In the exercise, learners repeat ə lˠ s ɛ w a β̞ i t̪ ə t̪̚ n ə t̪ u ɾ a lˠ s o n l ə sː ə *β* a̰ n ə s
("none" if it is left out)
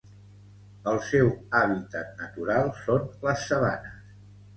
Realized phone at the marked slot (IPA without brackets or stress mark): β